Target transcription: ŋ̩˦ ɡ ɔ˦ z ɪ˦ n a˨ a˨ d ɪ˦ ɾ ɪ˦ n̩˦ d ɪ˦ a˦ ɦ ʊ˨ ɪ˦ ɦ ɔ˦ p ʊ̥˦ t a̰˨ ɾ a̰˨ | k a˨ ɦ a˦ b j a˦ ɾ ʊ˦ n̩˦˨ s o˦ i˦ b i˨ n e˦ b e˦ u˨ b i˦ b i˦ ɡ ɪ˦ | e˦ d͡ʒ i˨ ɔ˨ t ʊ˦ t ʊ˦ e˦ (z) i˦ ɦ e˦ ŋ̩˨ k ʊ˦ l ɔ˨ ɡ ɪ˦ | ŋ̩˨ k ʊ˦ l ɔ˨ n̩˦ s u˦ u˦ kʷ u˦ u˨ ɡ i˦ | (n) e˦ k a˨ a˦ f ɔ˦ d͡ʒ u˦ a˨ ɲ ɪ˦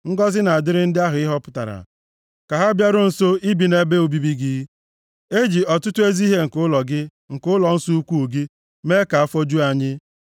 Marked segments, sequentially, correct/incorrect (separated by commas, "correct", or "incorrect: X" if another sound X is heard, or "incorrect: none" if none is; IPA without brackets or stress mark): correct, incorrect: m